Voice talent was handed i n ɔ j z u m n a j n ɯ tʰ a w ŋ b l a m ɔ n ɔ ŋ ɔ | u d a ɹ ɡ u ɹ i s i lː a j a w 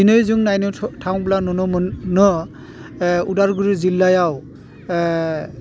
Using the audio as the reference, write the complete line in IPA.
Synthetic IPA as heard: i n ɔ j z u ŋ n a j n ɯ tʰ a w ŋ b l a n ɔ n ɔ n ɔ | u d a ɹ ɡ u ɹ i z i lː a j a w